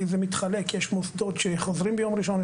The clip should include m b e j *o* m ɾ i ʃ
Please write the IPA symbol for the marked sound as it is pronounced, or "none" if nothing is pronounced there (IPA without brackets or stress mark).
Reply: o